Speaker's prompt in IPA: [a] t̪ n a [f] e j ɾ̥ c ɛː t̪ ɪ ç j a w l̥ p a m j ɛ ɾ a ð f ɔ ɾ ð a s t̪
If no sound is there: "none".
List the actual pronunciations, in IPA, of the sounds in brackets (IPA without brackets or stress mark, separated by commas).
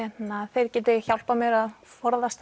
ɛ, θ